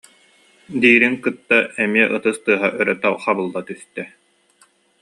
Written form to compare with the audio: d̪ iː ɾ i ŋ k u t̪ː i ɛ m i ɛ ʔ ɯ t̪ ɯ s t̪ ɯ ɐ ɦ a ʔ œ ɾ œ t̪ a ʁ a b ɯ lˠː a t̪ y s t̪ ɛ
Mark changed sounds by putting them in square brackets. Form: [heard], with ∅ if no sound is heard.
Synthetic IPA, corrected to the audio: d̪ iː ɾ i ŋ k [ɯ] t̪ː [a] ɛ m i ɛ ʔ ɯ t̪ ɯ s t̪ ɯ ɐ ɦ a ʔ œ ɾ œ t̪ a [χ] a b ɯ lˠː a t̪ y s t̪ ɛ